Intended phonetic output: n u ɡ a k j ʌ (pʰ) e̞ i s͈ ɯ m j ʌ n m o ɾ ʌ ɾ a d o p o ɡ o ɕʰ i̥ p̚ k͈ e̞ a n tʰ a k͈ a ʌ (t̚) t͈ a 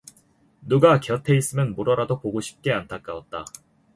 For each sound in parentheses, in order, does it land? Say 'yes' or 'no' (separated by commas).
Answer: no, yes